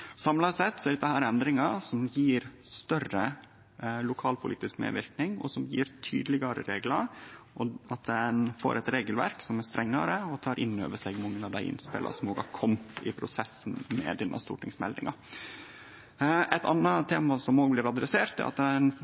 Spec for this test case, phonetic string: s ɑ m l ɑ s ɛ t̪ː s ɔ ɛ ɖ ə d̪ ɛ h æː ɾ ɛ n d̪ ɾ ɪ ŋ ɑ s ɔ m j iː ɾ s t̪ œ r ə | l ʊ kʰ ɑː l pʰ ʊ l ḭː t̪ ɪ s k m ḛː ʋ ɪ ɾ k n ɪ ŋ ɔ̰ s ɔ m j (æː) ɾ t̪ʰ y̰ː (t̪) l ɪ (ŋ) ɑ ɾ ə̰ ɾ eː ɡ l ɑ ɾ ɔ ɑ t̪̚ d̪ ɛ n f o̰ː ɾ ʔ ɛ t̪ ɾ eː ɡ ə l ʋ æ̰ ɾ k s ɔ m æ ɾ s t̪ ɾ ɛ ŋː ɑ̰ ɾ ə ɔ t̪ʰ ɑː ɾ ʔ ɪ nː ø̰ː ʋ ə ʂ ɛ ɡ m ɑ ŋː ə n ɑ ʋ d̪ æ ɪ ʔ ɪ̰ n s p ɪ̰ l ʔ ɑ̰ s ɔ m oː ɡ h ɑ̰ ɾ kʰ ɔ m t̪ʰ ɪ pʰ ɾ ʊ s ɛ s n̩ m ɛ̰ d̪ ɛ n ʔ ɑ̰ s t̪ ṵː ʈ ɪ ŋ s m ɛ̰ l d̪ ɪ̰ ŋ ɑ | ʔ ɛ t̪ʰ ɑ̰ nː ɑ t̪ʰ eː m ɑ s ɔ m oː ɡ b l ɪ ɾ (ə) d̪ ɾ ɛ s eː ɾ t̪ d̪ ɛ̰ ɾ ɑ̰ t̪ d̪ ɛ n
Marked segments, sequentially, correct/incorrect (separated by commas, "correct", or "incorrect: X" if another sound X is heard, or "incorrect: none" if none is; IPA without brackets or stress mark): incorrect: iː, incorrect: d̪, incorrect: ɡ, incorrect: ɑ